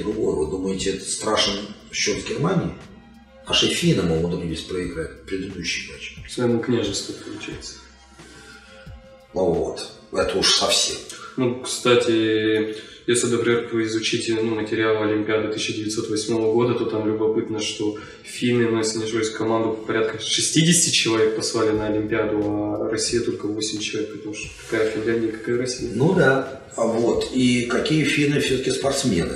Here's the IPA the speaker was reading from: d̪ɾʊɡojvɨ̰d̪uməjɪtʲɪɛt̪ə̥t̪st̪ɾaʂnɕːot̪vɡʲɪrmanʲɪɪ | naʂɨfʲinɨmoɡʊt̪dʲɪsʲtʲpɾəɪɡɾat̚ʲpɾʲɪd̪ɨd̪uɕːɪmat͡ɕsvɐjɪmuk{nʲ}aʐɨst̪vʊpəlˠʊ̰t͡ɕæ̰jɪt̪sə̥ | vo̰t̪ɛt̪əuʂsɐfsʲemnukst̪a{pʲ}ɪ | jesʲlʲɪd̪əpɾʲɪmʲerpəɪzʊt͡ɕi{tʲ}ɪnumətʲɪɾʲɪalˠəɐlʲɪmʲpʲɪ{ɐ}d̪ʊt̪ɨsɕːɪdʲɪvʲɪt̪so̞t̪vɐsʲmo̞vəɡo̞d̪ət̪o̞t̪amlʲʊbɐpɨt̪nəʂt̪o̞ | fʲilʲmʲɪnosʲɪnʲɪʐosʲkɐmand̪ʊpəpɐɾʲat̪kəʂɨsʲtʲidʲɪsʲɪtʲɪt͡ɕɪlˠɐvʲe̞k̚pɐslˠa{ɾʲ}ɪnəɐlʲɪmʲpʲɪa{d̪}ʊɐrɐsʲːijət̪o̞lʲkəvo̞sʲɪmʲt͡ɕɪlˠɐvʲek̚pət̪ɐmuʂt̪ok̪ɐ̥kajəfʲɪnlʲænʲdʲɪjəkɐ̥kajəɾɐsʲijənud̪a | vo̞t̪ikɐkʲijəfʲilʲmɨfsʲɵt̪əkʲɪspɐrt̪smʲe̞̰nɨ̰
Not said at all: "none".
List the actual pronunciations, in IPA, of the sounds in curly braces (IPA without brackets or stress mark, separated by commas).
nʲ, tʲ, tʲ, a, lʲ, d̪